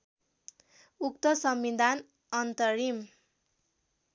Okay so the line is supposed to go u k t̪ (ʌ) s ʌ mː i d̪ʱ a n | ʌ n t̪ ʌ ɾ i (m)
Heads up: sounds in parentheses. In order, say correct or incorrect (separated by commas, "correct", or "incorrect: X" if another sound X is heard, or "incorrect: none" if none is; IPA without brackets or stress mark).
correct, correct